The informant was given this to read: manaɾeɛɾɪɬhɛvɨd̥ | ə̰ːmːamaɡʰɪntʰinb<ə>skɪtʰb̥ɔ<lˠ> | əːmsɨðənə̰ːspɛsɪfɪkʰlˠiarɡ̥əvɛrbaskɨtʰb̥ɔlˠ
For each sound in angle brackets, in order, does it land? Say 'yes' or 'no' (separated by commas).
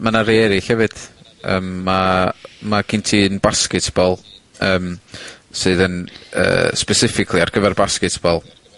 no, yes